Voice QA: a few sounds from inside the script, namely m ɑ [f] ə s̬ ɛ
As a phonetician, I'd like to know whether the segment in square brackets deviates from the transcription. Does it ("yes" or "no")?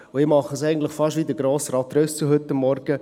yes